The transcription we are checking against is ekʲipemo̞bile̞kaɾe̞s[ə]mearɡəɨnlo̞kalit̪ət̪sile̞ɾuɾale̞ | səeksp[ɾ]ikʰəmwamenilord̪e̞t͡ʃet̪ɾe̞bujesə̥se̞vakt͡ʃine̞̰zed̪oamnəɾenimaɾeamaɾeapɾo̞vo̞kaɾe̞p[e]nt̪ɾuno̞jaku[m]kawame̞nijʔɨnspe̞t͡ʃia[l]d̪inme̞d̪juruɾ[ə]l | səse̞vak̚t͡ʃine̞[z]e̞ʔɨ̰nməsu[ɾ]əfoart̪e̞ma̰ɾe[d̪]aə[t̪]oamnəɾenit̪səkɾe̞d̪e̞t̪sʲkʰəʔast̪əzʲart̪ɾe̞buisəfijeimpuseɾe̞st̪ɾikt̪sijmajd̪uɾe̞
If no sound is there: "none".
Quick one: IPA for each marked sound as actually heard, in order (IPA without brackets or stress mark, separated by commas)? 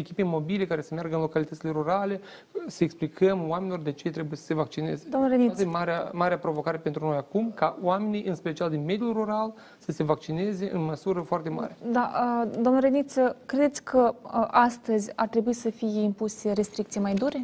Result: ə, l, e, m, l, a, z, ɾ, d̪, d̪